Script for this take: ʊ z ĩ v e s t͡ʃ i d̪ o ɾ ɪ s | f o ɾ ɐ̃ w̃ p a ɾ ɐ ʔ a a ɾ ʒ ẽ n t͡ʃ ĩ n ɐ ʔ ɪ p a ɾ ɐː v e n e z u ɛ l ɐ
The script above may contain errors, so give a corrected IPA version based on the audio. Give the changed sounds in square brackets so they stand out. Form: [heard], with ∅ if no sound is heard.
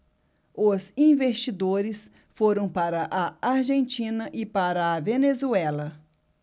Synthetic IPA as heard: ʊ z ĩ v e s t͡ʃ i d̪ o ɾ ɪ s | f o ɾ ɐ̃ w̃ p a ɾ ɐ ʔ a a ɾ ʒ ẽ n t͡ʃ ĩ n ɐ ʔ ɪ p a ɾ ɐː v e n e z u ɛ l ɐ